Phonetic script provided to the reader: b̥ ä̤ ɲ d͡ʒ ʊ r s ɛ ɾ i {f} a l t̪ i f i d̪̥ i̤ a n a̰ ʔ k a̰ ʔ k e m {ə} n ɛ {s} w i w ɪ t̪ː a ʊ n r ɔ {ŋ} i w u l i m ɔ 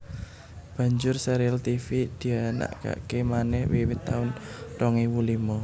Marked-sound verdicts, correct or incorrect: incorrect, incorrect, incorrect, correct

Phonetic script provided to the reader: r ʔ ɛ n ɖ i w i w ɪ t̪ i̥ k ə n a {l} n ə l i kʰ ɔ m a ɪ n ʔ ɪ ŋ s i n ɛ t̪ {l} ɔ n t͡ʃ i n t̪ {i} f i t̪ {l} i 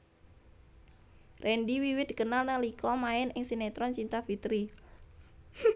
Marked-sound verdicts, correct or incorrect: correct, incorrect, incorrect, incorrect

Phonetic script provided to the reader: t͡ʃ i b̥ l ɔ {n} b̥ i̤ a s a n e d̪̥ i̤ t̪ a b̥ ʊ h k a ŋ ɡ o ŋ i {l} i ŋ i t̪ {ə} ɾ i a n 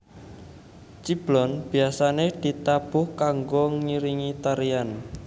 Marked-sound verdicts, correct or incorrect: correct, incorrect, incorrect

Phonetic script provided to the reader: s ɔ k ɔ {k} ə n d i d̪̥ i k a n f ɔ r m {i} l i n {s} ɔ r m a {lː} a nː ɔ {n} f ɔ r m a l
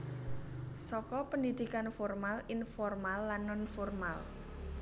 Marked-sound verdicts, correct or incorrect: incorrect, incorrect, incorrect, correct, correct

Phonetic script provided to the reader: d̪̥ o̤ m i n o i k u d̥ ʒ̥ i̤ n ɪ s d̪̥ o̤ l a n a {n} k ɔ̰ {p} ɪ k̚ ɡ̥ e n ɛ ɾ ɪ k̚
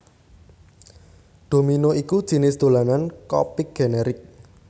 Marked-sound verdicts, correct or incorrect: correct, correct

